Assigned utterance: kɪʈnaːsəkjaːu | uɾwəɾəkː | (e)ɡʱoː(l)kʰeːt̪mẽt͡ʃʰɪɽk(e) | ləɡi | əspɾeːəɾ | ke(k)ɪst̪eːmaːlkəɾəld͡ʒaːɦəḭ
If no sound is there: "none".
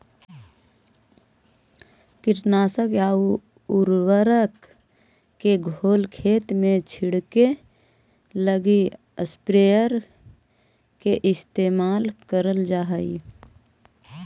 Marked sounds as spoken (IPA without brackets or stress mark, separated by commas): e, l, e, ʔ